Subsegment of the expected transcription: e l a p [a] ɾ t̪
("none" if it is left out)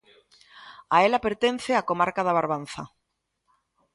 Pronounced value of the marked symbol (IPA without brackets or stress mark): e